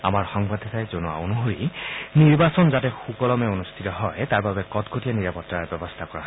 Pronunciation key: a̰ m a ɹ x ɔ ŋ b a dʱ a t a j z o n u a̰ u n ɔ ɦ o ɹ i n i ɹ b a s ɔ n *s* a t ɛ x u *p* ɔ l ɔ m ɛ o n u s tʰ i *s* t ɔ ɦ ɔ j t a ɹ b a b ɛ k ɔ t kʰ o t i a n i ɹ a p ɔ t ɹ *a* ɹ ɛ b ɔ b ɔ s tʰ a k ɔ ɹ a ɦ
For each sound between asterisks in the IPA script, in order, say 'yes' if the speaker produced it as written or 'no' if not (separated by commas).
no, no, no, yes